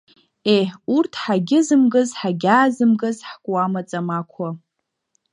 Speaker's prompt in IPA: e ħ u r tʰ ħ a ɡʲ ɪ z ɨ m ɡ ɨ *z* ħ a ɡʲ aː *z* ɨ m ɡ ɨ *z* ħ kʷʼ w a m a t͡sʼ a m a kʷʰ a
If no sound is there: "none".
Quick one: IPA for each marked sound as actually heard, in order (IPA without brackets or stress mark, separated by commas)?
z, z, z